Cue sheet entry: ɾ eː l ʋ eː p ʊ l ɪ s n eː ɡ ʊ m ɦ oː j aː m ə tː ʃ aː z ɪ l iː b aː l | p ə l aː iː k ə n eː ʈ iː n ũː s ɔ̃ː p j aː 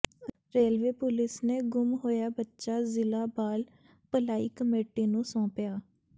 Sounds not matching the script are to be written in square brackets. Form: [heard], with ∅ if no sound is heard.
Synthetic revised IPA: ɾ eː l ʋ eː p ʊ l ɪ s n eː ɡ ʊ m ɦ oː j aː [b] ə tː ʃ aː z ɪ l [aː] b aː l | p ə l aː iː k ə [m] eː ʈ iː n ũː s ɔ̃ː p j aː